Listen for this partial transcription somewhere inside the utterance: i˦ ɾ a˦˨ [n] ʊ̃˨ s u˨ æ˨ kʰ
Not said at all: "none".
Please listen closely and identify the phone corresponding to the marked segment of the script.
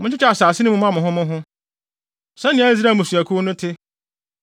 m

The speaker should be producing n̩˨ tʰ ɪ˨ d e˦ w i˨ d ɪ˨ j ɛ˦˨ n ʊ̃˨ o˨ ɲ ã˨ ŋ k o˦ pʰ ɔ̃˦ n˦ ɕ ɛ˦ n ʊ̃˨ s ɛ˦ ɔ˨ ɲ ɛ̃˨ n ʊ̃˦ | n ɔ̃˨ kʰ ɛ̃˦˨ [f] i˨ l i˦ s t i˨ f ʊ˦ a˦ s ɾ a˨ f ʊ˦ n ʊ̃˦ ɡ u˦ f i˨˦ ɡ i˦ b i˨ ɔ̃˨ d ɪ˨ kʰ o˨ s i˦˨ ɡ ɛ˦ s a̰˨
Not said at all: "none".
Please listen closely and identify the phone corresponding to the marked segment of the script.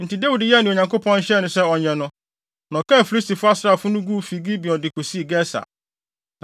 f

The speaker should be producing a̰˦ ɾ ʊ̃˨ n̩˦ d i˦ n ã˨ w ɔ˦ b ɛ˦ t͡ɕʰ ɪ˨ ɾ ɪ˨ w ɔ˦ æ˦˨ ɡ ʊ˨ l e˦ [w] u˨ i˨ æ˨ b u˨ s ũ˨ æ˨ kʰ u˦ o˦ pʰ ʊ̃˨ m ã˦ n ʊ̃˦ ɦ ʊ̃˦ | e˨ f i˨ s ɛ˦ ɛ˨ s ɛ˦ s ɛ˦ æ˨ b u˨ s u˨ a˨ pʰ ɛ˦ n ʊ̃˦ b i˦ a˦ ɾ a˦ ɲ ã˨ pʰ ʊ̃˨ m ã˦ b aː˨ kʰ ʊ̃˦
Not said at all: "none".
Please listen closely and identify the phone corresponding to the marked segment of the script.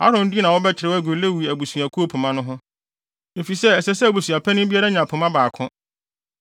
w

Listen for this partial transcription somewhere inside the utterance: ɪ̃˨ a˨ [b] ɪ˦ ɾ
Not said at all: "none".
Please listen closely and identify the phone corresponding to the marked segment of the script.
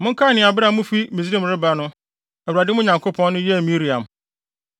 b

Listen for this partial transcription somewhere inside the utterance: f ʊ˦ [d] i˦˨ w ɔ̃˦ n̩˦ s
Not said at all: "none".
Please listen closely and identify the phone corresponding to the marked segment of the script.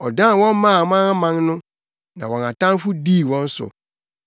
d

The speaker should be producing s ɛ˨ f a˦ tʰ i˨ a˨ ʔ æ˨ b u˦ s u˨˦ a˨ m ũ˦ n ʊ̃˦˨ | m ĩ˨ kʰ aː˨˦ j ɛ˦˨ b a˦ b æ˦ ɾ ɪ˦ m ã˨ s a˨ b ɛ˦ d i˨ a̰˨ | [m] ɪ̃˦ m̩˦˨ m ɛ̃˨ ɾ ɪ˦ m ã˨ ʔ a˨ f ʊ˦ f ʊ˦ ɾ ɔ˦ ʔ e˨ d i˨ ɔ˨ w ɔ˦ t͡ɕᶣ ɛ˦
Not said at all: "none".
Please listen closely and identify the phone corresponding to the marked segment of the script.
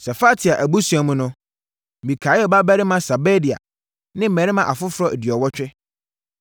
n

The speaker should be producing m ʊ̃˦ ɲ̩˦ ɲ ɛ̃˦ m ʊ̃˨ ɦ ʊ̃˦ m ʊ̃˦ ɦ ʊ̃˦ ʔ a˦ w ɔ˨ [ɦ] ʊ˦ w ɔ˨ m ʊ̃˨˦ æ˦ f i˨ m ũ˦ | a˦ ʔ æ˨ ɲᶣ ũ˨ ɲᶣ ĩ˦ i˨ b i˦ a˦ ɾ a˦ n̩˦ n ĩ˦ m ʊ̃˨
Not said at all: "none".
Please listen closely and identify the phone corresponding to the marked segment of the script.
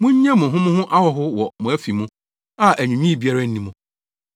ɦ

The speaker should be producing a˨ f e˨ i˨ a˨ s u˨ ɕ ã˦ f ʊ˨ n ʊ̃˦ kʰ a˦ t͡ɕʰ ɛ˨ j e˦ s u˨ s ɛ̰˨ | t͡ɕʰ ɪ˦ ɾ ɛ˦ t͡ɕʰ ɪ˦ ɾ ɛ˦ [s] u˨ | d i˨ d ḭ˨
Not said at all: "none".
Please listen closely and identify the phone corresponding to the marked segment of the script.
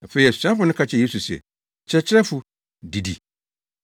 f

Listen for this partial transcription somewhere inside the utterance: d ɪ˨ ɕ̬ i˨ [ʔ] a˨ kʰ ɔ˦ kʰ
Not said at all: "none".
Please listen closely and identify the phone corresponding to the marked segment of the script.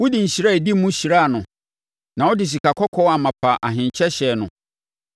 k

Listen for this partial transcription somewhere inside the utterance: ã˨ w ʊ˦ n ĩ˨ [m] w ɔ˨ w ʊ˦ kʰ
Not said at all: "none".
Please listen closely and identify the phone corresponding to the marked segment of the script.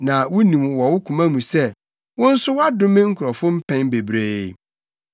m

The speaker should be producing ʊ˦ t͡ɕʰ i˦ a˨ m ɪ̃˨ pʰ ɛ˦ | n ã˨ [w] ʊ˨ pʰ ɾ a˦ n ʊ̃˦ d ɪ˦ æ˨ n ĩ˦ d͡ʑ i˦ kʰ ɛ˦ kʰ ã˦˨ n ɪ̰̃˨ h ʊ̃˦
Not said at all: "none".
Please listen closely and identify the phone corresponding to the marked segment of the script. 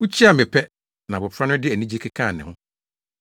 b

